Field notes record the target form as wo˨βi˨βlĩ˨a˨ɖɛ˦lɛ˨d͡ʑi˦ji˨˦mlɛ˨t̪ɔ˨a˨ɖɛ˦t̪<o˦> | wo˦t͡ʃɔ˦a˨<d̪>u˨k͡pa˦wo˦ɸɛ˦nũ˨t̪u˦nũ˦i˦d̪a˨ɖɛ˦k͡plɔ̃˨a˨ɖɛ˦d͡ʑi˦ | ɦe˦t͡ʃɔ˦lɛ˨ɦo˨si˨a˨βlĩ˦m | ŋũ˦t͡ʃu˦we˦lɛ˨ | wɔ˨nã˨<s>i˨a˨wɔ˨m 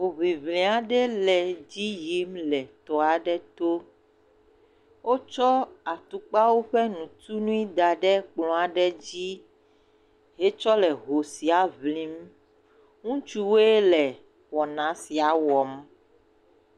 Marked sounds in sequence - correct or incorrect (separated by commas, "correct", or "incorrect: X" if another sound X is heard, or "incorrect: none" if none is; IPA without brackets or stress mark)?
correct, incorrect: t̪, correct